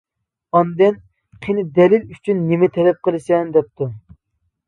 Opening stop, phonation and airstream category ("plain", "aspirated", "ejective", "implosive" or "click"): plain